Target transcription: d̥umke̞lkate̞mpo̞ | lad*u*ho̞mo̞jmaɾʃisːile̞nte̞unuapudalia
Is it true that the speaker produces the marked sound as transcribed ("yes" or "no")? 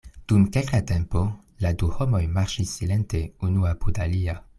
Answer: yes